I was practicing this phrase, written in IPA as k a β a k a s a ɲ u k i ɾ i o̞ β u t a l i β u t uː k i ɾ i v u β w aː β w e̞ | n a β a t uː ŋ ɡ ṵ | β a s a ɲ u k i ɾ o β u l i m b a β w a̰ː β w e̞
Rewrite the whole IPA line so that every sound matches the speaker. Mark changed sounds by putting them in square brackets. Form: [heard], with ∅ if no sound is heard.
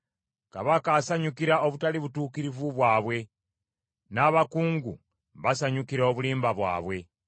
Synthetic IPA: k a β a k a s a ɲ u k i ɾ [a] o̞ β u t a l i β u t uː k i ɾ i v u β w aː β w e̞ | n a β a [k] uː ŋ ɡ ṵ | β a s a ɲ u k i ɾ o β u l [iː] m b a β w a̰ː β w e̞